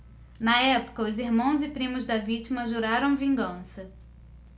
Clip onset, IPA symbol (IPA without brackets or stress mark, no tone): n